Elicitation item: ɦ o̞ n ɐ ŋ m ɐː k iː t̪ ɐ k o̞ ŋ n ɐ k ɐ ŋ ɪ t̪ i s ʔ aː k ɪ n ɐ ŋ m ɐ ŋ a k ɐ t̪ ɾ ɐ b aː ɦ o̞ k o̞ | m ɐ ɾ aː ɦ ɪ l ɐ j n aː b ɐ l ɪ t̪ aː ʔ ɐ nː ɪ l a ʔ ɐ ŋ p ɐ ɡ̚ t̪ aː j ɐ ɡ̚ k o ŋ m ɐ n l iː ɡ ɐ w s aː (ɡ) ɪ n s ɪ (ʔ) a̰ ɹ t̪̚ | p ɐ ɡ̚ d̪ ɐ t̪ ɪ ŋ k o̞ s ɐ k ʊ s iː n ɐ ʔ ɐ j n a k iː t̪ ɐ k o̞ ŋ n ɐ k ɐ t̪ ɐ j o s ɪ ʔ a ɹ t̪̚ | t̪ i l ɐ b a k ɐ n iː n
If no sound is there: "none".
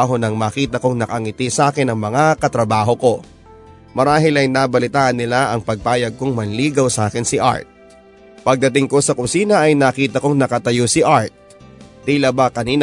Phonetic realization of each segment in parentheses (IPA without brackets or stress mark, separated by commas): k, ʔ